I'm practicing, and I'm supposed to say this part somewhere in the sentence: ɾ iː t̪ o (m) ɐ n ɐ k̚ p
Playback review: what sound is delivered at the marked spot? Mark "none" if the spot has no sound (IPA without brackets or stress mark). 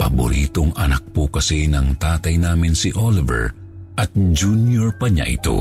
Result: ŋ